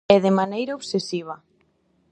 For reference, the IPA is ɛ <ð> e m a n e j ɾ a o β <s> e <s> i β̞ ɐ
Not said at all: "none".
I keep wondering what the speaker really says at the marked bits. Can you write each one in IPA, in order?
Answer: ð, s, s

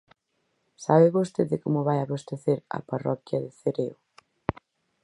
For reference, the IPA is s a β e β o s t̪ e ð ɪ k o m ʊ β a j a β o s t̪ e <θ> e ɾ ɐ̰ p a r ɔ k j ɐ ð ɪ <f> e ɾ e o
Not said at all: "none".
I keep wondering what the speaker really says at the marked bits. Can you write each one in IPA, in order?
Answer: θ, θ

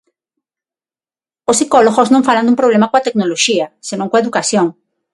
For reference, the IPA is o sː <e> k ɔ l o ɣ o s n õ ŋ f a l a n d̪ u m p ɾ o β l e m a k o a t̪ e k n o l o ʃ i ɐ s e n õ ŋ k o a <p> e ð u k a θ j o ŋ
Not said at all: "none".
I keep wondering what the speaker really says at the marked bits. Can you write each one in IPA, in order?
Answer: i, none

